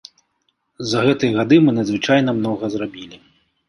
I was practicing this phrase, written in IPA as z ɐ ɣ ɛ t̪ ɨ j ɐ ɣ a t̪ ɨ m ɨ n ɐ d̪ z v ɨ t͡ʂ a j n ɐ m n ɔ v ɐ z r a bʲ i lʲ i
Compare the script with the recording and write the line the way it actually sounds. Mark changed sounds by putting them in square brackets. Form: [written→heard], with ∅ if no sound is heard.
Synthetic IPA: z ɐ ɣ ɛ t̪ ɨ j ɐ ɣ a [t̪→d̪] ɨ m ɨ n ɐ d̪ z v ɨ t͡ʂ a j n ɐ m n ɔ [v→ɣ] ɐ z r a bʲ i lʲ i